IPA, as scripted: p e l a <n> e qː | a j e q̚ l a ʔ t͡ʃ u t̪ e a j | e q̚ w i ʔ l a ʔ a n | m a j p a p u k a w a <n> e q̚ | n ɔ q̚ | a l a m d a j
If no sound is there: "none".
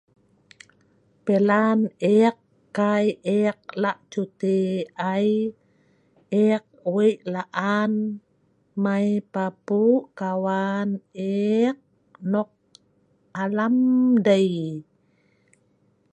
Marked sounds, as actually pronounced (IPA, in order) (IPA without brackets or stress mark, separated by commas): n, n